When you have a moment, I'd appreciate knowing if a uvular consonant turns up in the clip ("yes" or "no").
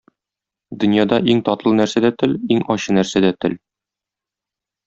no